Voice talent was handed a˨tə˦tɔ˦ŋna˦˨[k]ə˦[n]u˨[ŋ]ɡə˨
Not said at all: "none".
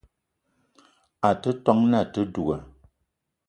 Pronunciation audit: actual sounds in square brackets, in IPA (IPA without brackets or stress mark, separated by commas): t, d, none